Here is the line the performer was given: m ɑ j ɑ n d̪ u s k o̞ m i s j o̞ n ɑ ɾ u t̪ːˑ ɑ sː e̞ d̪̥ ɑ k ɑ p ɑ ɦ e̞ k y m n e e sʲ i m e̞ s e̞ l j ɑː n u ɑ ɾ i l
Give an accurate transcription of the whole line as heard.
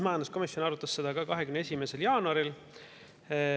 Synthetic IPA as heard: m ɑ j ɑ n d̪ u s k o̞ m i s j o̞ n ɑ ɾ u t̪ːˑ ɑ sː e̞ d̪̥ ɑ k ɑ k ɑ ɦ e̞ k y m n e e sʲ i m e̞ s e̞ l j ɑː n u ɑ ɾ i l